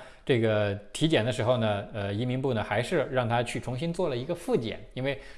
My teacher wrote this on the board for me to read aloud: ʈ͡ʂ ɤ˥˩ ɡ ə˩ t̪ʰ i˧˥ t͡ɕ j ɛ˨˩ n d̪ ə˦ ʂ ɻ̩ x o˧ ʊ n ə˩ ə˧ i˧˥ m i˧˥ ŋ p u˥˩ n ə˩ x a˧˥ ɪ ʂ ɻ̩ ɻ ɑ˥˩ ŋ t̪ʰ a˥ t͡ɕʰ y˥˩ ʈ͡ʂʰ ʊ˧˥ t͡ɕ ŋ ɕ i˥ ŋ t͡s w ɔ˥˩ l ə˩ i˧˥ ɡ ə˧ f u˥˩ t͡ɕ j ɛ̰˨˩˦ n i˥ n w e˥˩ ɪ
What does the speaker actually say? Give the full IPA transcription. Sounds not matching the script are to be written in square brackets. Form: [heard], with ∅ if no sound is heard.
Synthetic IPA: ʈ͡ʂ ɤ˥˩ ɡ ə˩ t̪ʰ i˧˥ t͡ɕ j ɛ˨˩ n d̪ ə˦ ʂ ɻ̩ x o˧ ʊ n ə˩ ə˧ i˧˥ m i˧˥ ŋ p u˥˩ n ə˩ x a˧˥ ɪ ʂ ɻ̩ ɻ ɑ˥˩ ŋ t̪ʰ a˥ t͡ɕʰ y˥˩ ʈ͡ʂʰ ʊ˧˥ [∅] ŋ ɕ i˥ [n] t͡s w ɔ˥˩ l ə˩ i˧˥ ɡ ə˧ f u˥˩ t͡ɕ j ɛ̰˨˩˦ n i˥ n w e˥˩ ɪ